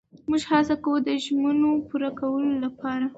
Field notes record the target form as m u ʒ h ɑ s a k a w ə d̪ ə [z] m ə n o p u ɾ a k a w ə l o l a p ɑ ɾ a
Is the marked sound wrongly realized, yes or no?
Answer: yes